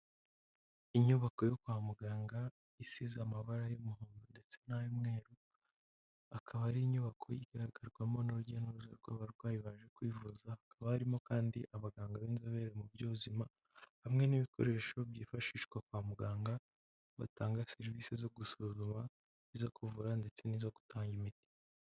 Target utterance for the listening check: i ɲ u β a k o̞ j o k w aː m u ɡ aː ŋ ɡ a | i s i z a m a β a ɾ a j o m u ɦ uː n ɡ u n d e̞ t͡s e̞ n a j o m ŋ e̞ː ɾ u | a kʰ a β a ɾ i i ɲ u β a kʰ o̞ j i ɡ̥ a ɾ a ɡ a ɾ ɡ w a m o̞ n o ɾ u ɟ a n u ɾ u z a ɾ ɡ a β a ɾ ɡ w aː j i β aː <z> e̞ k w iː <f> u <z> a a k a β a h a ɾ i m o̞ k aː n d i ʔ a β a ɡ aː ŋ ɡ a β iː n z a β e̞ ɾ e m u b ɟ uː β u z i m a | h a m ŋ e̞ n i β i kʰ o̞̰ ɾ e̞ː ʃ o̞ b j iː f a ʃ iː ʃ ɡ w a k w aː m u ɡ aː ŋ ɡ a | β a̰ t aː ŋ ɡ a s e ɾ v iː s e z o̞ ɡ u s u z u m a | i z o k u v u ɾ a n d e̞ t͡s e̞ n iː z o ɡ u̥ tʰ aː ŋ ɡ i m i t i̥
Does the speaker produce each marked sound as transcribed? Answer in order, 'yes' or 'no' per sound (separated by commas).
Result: no, no, yes